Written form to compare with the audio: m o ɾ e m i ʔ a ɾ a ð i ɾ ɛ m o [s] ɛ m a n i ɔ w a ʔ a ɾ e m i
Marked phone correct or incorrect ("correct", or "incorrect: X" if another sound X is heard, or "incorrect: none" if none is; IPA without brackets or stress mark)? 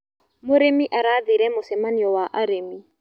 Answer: correct